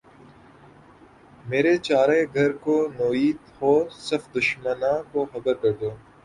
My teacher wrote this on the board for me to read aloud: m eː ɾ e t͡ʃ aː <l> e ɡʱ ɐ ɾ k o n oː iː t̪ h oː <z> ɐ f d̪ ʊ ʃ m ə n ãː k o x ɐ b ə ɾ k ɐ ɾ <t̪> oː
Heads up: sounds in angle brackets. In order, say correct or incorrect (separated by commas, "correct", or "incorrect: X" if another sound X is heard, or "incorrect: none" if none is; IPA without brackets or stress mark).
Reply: incorrect: ɾ, incorrect: s, incorrect: d̪